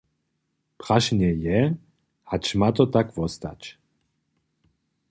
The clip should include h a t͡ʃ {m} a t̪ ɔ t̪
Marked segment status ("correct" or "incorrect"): correct